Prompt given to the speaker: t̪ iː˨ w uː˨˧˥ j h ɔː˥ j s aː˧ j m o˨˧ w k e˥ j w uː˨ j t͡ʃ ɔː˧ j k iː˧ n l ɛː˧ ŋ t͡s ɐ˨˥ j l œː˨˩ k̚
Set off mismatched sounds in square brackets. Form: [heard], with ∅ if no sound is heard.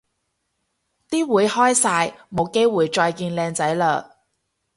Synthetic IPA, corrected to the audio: t̪ [iː˥] w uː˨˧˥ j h ɔː˥ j s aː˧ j m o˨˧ w k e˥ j w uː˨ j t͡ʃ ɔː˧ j k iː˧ n l ɛː˧ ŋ t͡s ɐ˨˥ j l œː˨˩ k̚